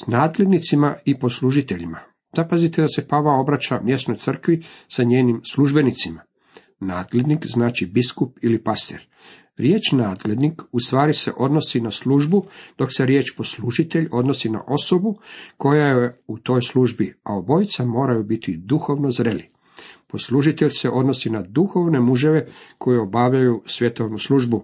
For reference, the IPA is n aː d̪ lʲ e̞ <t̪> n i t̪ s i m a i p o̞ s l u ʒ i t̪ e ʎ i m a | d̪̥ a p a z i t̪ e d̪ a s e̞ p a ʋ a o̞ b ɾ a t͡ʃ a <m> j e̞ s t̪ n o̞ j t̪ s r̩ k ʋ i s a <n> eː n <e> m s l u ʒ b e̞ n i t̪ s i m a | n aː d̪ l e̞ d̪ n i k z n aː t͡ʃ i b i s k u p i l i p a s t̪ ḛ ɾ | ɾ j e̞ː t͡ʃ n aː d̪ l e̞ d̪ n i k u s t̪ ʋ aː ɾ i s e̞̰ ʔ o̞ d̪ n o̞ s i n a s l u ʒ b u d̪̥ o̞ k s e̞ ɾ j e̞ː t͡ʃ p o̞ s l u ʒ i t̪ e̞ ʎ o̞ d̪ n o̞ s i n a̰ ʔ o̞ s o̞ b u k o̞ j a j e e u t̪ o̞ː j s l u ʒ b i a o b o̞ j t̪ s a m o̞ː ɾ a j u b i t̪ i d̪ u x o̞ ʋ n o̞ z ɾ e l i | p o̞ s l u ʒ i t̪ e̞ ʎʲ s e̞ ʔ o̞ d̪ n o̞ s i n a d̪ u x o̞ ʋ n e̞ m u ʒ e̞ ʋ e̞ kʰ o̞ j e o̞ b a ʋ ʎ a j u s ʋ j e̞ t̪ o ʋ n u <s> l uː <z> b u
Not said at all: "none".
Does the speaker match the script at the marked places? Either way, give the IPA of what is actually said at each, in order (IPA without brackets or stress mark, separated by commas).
d̪, m, ɲ, i, s, ʒ